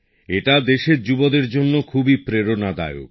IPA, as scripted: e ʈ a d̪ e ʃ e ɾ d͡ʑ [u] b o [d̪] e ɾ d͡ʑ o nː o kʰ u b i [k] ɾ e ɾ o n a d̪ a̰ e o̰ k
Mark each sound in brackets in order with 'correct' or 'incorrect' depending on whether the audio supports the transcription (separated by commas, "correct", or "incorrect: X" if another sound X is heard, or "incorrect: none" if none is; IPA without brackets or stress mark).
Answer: correct, correct, incorrect: p